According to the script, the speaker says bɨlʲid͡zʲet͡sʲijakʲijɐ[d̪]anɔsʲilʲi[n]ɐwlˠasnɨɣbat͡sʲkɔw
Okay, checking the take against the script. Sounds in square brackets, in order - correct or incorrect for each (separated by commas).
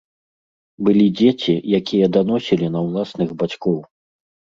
correct, correct